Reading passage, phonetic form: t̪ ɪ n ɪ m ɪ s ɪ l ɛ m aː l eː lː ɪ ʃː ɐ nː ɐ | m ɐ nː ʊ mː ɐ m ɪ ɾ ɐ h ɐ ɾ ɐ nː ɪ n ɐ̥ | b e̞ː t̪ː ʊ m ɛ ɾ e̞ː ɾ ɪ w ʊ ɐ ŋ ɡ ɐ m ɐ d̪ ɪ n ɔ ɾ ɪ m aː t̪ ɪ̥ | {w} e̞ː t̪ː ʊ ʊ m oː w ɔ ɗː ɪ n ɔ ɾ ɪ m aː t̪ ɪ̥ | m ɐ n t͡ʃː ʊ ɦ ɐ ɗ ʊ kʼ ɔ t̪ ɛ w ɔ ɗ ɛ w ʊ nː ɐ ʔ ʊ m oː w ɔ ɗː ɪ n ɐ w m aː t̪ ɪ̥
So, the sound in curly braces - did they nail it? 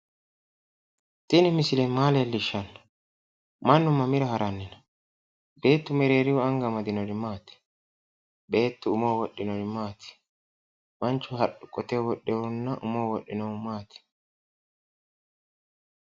no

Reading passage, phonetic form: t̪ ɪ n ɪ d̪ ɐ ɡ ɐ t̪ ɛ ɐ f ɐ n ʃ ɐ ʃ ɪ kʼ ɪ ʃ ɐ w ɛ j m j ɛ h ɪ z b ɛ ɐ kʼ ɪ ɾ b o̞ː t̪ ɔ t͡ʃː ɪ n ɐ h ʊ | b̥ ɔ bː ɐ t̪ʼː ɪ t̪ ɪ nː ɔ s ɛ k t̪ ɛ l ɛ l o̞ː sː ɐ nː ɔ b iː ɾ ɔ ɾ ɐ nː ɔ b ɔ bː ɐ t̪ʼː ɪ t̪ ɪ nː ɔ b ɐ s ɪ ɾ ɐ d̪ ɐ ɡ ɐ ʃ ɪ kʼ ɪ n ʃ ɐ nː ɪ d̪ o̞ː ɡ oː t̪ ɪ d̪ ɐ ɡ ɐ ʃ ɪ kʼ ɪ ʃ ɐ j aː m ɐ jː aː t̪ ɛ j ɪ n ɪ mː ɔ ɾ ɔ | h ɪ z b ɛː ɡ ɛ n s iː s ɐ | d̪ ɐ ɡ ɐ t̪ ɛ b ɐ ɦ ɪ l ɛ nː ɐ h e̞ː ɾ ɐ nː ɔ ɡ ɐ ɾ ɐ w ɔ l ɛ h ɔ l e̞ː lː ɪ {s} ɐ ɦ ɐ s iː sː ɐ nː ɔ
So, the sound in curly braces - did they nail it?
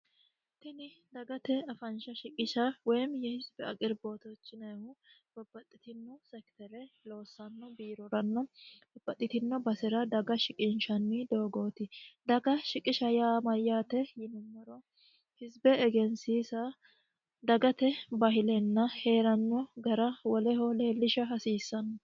no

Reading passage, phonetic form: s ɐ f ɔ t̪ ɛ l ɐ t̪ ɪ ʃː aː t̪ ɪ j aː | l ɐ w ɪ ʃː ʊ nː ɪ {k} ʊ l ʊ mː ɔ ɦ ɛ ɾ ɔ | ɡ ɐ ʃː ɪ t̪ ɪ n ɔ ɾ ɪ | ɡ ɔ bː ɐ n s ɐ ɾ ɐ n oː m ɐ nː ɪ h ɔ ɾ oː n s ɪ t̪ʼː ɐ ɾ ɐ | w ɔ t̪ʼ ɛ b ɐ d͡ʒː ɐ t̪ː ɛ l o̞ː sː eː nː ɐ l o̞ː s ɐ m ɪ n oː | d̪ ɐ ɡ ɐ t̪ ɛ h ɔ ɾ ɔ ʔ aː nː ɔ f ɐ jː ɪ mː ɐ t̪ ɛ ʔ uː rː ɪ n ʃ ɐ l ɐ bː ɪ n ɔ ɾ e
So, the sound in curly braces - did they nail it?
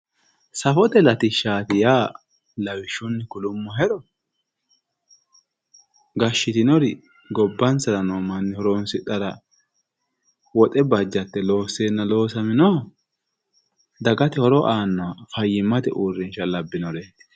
yes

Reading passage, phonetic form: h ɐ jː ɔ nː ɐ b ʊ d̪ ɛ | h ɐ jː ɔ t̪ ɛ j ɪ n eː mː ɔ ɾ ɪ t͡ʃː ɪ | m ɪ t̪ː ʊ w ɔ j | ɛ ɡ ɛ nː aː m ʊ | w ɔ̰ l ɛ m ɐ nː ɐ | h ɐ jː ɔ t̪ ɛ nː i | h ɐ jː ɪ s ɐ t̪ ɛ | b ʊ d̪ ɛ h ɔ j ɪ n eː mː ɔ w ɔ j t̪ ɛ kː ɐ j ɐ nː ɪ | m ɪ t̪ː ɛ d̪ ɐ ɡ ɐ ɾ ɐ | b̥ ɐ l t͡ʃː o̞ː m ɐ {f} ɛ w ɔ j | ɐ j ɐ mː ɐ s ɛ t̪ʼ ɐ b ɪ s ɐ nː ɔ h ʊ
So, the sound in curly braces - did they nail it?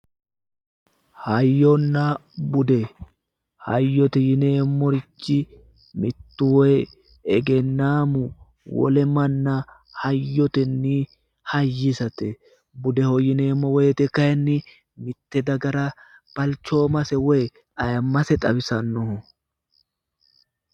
no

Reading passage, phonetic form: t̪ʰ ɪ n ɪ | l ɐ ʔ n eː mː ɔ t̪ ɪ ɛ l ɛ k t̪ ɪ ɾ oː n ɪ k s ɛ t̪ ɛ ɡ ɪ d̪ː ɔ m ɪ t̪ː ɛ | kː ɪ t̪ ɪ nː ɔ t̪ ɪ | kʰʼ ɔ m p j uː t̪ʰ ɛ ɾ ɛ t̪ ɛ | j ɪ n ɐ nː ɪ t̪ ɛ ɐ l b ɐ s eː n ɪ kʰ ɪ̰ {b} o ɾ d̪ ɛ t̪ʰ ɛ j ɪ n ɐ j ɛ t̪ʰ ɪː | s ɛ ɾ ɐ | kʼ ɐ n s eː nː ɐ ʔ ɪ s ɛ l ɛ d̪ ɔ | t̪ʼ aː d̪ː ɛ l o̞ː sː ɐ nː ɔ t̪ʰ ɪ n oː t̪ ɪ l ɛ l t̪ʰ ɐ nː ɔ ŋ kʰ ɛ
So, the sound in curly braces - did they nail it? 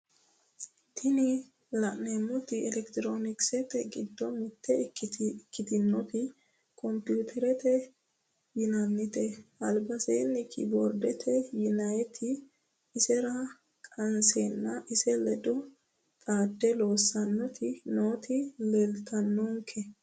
yes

